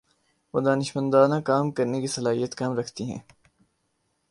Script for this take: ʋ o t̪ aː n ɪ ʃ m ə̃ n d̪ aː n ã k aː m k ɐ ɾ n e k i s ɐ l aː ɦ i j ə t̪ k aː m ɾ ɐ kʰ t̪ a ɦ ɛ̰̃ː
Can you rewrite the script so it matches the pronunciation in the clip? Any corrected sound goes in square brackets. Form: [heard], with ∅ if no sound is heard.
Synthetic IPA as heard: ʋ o [d̪] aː n ɪ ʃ m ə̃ n d̪ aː n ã k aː m k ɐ ɾ n e k i s ɐ l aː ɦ i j ə t̪ k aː m ɾ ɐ kʰ t̪ [i] ɦ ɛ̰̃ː